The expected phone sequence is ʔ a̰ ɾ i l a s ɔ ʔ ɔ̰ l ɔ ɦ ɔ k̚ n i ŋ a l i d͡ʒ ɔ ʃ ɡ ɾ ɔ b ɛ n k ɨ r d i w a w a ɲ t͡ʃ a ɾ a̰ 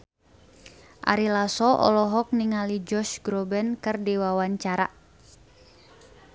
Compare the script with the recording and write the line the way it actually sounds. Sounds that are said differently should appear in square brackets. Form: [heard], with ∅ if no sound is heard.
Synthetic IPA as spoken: ʔ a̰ ɾ i l a s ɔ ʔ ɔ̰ l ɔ ɦ ɔ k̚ n i ŋ a l i d͡ʒ ɔ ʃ ɡ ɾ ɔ b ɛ n k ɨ r d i w a w a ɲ t͡ʃ a ɾ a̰